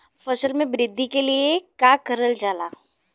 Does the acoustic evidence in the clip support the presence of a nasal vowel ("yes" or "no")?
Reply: yes